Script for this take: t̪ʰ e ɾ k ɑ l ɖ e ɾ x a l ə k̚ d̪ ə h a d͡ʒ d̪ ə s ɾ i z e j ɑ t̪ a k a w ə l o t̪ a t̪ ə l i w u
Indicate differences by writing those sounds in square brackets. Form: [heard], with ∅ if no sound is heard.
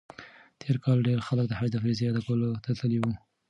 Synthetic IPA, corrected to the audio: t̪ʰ e ɾ k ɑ l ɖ e ɾ x a l ə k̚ d̪ ə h a d͡ʒ d̪ ə [f] ɾ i z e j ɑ [d̪] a k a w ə l o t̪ a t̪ ə l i w u